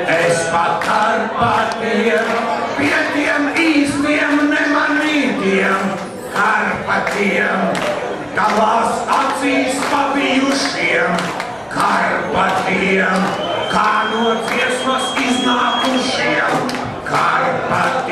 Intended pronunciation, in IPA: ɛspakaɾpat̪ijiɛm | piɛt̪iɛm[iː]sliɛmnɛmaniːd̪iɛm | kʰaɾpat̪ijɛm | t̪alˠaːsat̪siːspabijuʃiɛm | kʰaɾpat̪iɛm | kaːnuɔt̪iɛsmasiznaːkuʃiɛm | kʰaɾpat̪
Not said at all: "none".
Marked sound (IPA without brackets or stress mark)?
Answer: iː